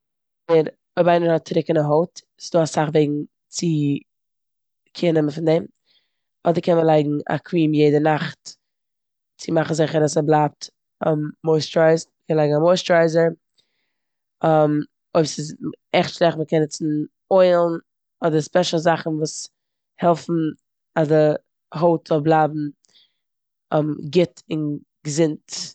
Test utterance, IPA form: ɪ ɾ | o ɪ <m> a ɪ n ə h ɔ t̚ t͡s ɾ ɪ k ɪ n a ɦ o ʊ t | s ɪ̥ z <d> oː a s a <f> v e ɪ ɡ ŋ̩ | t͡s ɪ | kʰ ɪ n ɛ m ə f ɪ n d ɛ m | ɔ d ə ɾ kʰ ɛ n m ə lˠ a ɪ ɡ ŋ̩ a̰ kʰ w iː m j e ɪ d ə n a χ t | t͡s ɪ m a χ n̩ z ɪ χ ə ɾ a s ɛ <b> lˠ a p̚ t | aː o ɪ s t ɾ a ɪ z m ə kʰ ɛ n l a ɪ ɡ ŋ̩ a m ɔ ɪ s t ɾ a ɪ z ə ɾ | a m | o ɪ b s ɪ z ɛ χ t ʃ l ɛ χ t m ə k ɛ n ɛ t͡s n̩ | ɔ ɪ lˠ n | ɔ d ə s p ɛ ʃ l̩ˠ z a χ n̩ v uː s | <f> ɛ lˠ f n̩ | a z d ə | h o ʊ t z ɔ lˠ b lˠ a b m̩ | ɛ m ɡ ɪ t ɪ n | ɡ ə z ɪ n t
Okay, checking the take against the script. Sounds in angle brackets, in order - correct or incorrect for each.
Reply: incorrect: b, correct, incorrect: χ, correct, incorrect: h

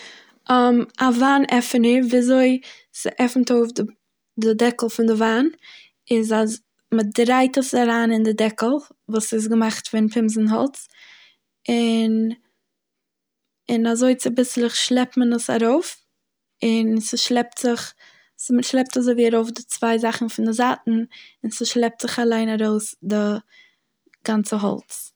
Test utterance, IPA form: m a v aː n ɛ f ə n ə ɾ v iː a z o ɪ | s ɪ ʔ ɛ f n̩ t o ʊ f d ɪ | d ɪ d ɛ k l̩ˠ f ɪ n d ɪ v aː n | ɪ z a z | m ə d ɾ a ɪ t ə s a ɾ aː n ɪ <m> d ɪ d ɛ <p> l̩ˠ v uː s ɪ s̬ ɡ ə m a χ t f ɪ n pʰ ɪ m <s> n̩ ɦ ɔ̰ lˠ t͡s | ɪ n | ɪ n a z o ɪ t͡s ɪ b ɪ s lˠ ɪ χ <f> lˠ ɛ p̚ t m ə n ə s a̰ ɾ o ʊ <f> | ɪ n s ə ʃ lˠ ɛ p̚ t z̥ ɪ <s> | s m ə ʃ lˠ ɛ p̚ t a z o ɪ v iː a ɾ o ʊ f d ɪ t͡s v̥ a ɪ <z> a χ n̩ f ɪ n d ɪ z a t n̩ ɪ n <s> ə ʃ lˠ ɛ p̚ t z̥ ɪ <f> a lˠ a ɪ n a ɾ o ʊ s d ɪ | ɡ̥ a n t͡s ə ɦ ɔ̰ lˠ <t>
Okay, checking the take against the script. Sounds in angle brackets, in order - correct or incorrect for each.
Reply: incorrect: n, incorrect: k, incorrect: z, incorrect: ʃ, correct, incorrect: χ, correct, correct, incorrect: χ, incorrect: t͡s

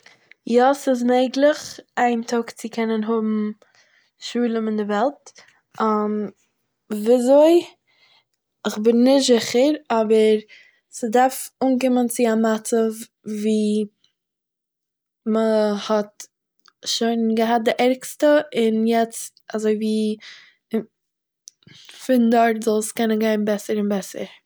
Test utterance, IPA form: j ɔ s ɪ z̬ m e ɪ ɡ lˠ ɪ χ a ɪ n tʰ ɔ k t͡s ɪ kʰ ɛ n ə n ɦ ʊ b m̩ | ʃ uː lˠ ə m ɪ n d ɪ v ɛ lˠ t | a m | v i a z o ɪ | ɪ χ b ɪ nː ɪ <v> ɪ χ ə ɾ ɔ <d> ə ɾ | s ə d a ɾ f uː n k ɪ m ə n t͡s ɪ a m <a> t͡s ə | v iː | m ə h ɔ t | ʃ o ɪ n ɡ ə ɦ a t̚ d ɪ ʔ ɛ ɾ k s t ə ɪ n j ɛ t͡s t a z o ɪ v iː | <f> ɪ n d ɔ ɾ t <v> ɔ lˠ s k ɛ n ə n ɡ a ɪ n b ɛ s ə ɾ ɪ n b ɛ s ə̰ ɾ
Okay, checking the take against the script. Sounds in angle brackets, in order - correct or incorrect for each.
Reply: incorrect: z, incorrect: b, correct, correct, incorrect: z

